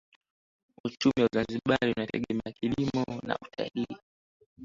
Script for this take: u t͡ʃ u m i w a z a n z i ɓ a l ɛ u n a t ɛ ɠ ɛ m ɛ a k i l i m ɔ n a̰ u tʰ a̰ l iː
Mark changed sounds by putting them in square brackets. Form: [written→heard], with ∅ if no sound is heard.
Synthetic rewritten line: u t͡ʃ u m i w a z a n z i ɓ a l [ɛ→i] u n a t ɛ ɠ ɛ m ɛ a k i l i m ɔ n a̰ u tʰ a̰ l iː